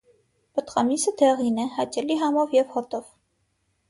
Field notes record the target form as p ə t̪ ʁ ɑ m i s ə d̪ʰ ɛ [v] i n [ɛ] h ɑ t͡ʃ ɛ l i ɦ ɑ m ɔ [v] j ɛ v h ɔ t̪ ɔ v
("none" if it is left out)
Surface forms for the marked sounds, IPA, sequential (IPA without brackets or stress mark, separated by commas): ʁ, ɛ, v